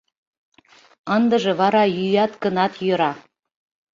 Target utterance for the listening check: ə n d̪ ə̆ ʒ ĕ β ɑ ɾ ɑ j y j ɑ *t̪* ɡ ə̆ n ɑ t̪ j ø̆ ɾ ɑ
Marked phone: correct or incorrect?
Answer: correct